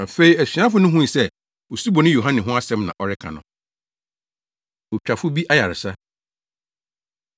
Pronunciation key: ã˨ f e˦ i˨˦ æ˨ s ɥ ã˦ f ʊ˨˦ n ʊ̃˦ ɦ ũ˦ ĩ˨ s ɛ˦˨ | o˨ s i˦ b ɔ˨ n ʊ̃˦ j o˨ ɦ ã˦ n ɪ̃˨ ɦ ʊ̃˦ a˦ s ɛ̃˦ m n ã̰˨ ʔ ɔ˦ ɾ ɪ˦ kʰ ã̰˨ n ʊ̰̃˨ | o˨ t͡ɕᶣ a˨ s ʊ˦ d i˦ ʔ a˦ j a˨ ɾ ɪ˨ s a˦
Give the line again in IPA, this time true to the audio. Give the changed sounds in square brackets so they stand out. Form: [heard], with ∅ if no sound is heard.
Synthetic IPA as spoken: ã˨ f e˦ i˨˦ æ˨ s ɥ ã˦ f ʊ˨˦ n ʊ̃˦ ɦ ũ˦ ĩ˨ s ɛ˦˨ | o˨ s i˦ b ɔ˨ n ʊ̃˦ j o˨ ɦ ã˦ n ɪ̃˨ ɦ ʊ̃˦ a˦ s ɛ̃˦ m n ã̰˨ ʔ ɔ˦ ɾ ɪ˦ kʰ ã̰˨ n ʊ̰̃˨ | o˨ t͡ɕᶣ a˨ [f] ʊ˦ [b] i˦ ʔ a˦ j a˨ ɾ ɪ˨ s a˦